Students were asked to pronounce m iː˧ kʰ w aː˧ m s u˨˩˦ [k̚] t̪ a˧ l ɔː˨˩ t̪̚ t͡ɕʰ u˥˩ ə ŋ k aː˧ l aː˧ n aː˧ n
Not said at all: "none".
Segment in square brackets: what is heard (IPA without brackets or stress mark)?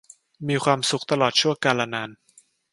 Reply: k̚